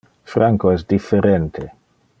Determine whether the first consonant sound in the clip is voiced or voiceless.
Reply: voiceless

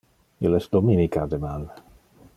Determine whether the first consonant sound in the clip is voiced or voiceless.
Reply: voiced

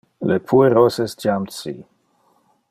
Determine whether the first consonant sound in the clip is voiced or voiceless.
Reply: voiced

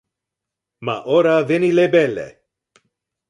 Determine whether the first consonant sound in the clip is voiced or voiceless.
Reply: voiced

